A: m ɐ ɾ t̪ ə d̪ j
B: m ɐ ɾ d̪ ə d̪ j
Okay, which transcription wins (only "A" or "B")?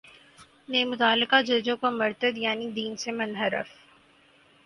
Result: A